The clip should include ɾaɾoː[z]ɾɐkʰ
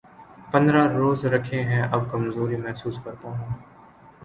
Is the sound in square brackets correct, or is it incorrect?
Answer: correct